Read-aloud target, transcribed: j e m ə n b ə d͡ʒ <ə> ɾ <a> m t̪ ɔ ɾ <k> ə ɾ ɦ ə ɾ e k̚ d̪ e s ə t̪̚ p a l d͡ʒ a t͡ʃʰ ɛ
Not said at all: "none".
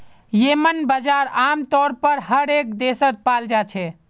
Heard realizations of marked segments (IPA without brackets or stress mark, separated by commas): a, a, p